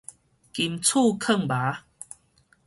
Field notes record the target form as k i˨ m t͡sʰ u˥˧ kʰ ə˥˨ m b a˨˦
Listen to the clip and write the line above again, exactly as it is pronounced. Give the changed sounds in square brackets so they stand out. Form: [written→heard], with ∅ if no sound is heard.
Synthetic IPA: k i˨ m t͡sʰ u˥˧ kʰ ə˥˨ [m→ŋ] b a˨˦